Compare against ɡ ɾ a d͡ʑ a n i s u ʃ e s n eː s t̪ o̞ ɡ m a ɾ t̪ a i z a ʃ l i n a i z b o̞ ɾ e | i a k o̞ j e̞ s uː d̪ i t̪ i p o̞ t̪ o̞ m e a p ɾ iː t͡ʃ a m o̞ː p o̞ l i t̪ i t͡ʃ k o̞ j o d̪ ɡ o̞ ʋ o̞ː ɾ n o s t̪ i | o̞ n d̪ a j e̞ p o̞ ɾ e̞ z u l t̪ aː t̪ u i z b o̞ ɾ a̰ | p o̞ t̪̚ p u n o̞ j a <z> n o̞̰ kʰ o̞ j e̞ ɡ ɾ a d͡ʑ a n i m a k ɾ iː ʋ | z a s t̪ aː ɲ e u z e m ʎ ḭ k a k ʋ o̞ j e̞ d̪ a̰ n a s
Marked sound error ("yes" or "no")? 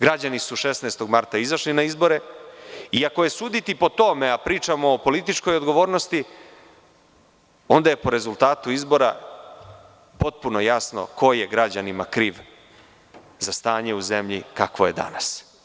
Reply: yes